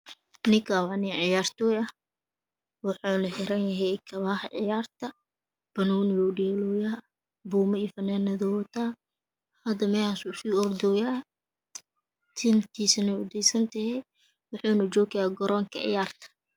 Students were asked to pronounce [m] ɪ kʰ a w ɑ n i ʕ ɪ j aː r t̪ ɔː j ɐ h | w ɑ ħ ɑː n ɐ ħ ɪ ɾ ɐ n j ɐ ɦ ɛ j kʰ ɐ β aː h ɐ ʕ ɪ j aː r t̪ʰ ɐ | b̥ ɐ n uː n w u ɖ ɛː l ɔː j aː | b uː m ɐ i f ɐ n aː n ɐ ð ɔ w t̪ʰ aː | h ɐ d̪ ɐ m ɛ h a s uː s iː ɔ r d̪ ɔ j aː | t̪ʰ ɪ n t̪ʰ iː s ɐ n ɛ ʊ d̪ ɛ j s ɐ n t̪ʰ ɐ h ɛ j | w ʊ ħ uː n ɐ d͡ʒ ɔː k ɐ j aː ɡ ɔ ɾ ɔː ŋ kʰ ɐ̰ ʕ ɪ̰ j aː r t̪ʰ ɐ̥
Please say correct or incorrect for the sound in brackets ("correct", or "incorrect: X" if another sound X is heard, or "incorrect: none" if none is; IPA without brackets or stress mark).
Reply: incorrect: n